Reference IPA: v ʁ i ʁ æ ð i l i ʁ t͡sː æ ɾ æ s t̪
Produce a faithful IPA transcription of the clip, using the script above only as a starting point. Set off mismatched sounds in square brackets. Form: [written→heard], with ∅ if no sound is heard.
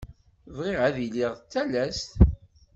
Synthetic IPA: v ʁ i ʁ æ ð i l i ʁ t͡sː æ [ɾ→l] æ s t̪

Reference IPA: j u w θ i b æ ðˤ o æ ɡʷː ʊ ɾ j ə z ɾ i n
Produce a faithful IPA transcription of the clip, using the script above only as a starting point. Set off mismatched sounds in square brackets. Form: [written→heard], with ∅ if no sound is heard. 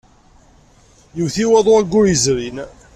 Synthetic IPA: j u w θ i [b→w] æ ðˤ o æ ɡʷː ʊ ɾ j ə z ɾ i n

